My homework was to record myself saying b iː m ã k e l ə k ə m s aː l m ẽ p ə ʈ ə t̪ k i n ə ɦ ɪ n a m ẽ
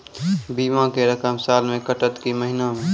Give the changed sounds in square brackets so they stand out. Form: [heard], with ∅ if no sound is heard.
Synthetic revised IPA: b iː m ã k e [ɾ] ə k ə m s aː l m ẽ [k] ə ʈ ə t̪ k i [m] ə ɦ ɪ n a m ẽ